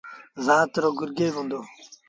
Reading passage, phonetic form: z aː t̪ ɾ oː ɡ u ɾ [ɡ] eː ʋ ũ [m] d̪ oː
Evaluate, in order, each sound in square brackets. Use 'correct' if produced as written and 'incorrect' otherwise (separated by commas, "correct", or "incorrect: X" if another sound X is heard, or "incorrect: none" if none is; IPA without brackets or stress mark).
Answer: correct, incorrect: n